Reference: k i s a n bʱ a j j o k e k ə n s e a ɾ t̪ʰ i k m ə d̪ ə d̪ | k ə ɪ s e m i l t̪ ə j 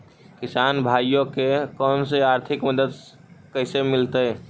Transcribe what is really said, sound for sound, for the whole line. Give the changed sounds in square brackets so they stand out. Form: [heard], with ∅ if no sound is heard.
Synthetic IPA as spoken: k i s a n bʱ a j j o k e k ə n s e a ɾ t̪ʰ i k m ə d̪ ə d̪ | k ə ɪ s e m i l t̪ ə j